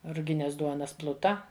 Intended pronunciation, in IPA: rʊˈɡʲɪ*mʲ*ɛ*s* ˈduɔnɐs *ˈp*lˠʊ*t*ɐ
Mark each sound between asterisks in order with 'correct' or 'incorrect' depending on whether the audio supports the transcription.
incorrect: nʲ, correct, correct, correct

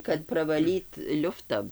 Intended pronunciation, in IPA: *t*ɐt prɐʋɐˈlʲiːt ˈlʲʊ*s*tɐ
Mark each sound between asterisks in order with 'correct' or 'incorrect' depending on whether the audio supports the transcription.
incorrect: k, incorrect: f

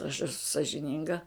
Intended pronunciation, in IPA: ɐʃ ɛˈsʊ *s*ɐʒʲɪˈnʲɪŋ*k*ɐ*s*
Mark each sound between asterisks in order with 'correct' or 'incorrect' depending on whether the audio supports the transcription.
correct, incorrect: ɡ, incorrect: none

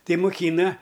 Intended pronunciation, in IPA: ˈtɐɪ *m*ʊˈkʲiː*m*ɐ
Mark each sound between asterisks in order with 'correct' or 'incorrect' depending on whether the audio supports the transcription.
correct, incorrect: n

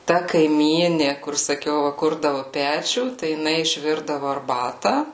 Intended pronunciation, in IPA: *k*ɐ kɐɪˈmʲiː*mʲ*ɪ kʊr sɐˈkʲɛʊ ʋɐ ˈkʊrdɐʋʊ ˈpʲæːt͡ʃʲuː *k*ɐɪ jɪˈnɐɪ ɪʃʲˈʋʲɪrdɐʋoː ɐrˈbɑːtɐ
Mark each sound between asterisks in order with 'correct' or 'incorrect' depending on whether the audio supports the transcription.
incorrect: t, incorrect: nʲ, incorrect: t

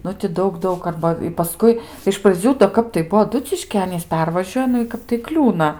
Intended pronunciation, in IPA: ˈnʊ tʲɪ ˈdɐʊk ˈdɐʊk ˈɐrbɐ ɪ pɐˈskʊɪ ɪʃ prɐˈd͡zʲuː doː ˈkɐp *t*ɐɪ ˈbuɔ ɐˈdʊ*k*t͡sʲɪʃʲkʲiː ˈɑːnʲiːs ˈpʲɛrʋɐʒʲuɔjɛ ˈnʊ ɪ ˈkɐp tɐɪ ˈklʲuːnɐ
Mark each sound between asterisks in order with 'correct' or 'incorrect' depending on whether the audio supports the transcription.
correct, incorrect: none

